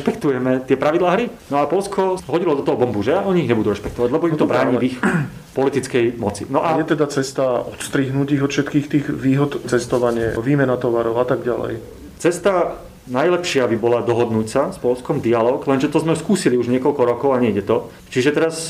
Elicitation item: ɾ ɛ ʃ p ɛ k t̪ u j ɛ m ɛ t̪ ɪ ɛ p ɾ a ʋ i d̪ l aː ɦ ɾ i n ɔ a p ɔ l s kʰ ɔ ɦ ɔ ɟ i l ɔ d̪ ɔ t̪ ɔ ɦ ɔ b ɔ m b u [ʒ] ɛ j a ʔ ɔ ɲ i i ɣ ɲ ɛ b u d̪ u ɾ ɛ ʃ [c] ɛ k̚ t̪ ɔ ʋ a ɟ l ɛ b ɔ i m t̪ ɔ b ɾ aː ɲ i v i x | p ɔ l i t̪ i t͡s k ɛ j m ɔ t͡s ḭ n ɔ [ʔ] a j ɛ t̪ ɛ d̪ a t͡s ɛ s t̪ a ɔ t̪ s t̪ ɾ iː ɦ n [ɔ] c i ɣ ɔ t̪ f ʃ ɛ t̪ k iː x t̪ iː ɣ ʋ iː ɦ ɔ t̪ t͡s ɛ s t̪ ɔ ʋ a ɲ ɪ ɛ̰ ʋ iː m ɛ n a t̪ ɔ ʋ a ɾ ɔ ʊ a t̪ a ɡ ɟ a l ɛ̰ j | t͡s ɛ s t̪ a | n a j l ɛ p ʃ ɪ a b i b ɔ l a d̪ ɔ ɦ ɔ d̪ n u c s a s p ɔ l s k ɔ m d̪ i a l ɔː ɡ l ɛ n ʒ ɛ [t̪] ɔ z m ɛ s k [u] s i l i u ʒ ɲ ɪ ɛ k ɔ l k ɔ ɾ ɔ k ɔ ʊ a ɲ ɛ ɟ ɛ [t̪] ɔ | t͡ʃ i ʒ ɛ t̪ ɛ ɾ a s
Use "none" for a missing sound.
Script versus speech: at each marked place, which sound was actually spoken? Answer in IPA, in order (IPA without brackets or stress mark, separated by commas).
ʒ, p, ʔ, u, t̪, uː, t̪